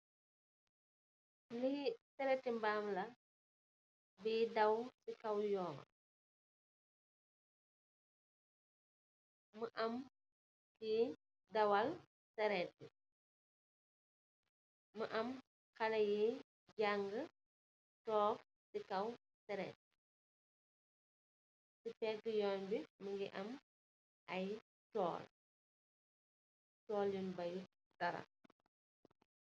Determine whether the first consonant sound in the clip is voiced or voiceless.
voiced